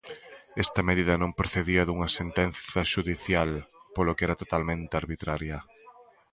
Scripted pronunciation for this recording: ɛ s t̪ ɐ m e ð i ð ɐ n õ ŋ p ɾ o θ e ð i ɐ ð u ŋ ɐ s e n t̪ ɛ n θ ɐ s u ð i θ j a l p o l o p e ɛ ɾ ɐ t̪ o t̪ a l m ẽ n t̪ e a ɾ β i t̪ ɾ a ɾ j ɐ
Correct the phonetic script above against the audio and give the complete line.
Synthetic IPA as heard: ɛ s t̪ ɐ m e ð i ð ɐ n õ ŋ p ɾ o θ e ð i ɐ ð u ŋ ɐ s e n t̪ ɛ n θ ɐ ʃ u ð i θ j a l p o l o k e ɛ ɾ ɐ t̪ o t̪ a l m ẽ n t̪ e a ɾ β i t̪ ɾ a ɾ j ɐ